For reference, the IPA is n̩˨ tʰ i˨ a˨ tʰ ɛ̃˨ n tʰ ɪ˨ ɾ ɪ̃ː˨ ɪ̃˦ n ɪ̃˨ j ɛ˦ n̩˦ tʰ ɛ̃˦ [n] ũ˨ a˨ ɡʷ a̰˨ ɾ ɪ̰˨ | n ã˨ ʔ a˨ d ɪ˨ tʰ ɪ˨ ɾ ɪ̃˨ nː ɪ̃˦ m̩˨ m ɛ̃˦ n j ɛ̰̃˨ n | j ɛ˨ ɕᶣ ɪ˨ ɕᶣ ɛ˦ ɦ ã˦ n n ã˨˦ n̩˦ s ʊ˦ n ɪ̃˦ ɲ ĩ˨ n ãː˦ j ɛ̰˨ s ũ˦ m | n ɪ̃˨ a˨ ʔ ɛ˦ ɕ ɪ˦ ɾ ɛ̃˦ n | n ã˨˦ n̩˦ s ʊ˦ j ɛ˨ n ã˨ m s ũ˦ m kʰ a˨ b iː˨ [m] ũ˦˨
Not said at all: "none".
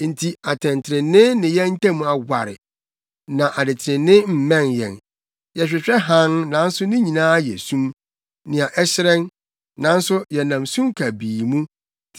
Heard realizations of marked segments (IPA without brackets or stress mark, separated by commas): m, m